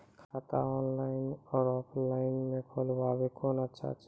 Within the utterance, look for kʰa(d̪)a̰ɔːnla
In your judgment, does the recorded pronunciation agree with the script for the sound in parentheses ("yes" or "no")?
no